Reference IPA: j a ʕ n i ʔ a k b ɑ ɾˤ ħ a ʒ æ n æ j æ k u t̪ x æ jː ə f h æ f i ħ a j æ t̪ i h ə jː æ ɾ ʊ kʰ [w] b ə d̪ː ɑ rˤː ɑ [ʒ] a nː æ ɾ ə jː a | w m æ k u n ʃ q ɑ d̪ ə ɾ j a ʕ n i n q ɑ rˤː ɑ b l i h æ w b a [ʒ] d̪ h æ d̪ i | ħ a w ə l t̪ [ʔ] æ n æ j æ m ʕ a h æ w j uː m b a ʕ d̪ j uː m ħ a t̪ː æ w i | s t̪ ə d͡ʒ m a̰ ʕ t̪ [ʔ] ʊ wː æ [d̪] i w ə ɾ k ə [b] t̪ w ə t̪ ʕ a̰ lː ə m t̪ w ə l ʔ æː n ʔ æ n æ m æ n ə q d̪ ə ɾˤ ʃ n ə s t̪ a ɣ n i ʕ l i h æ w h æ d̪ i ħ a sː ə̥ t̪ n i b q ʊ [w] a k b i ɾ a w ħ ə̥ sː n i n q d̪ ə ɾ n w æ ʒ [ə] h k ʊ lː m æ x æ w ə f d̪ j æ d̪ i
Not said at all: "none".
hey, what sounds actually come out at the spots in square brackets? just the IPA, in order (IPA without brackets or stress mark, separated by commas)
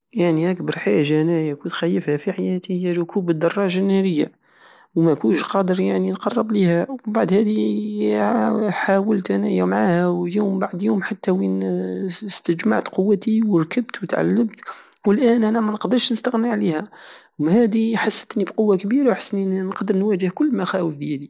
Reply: u, ʒ, ʕ, ʔ, q, t̪, b, wː, ə